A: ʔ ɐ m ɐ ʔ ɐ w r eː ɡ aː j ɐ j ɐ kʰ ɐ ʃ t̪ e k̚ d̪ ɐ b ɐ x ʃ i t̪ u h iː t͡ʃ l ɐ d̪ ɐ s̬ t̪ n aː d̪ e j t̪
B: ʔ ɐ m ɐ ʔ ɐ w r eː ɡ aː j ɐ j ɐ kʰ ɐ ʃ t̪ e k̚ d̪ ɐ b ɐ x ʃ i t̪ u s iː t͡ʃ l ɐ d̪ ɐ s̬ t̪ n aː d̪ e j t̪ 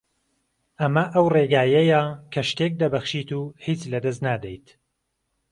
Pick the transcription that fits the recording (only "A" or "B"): A